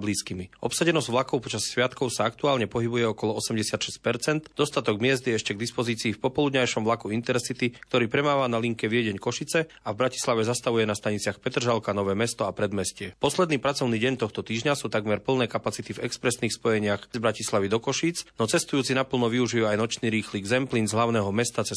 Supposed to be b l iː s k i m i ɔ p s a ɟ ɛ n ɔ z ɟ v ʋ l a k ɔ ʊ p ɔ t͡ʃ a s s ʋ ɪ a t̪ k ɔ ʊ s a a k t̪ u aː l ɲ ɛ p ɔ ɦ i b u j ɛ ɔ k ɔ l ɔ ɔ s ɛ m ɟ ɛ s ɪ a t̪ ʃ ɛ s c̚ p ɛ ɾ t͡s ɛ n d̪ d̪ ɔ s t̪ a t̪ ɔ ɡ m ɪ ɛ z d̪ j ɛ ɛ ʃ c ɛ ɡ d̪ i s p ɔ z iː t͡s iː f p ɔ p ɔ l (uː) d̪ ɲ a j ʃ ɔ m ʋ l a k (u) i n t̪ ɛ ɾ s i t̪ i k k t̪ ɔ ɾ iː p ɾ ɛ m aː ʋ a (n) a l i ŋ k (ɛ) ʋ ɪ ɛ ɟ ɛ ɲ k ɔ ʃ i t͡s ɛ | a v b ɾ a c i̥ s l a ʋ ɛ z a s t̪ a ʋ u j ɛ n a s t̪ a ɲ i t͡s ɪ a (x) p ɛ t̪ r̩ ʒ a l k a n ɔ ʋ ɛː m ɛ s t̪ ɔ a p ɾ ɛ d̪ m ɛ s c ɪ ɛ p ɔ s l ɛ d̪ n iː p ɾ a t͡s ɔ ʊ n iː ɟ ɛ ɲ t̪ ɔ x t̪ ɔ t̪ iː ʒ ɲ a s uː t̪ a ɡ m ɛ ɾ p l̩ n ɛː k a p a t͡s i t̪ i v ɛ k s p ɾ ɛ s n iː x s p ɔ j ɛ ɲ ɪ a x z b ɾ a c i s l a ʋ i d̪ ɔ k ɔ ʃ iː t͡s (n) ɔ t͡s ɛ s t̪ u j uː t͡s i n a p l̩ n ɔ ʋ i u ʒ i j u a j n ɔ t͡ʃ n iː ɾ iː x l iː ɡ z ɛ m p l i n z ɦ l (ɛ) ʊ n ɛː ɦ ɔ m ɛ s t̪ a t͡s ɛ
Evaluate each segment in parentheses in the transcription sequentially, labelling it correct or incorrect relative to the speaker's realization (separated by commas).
incorrect, correct, correct, correct, correct, correct, incorrect